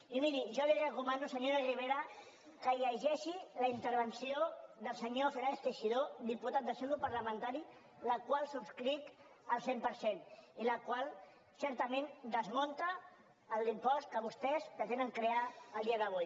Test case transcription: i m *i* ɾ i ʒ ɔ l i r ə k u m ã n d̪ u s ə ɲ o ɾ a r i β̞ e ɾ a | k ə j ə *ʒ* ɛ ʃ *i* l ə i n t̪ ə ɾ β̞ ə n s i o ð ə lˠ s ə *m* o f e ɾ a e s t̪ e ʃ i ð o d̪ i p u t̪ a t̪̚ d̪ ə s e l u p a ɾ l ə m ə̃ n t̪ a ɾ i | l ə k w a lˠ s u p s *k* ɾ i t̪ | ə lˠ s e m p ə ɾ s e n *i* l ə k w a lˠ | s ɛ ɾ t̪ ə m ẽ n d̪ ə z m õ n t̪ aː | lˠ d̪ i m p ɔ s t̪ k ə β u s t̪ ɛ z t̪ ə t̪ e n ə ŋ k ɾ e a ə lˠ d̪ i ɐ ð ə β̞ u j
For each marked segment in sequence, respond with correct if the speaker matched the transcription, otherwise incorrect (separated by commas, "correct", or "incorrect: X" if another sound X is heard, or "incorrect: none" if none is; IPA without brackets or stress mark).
correct, correct, correct, incorrect: ɲ, correct, correct